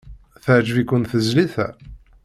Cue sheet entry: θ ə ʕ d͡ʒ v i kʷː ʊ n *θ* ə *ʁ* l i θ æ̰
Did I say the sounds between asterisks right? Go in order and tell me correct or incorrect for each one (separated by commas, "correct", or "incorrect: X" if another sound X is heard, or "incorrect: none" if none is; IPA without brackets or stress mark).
correct, incorrect: z